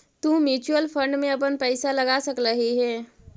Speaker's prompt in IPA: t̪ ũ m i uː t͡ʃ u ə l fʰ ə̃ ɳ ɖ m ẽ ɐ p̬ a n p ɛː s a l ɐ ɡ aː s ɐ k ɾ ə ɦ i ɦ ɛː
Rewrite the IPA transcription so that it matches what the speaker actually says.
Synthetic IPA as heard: t̪ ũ m j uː t͡ʃ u ə l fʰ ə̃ ɳ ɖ m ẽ ɐ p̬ ə n p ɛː s a l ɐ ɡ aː s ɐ k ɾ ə ɦ i ɦ ɛː